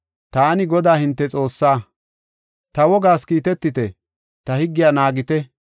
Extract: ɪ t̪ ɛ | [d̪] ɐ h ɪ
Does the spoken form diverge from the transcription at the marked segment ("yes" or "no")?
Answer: yes